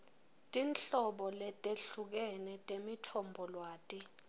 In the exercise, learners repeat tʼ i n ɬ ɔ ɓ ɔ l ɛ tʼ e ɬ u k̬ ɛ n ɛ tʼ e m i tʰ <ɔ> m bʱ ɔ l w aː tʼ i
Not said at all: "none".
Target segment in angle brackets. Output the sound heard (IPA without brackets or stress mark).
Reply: ɔ